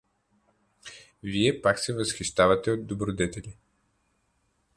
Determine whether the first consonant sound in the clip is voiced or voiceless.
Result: voiced